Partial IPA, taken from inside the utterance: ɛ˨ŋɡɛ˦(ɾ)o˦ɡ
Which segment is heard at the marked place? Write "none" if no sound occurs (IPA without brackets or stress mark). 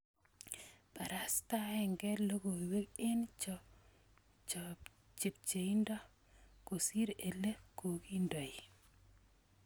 l